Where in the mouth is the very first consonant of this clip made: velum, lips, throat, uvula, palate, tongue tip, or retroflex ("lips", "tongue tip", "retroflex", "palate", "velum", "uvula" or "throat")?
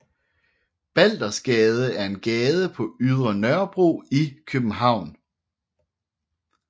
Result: lips